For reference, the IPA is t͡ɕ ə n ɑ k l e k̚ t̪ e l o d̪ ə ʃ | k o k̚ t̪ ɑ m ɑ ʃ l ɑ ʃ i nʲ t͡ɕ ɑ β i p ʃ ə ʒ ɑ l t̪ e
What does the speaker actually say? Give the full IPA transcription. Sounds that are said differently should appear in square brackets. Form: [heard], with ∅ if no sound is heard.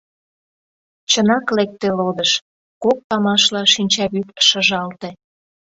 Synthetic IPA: t͡ɕ ə n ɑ k l e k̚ t̪ e l o d̪ ə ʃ | k o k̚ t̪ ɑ m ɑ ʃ l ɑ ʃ i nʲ t͡ɕ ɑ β [y] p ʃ ə ʒ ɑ l t̪ e